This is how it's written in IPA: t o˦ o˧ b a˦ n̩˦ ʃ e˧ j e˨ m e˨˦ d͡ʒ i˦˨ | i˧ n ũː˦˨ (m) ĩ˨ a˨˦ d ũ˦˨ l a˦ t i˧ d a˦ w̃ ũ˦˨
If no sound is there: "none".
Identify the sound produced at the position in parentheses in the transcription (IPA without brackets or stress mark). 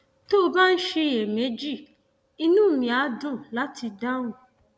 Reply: m